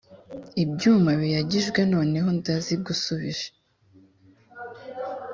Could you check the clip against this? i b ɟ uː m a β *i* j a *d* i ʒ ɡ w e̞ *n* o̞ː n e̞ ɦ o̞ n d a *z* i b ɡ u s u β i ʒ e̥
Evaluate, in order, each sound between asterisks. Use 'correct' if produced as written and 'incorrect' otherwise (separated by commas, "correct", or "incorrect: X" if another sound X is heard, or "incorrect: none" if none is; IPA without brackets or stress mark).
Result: correct, incorrect: ɟ, correct, correct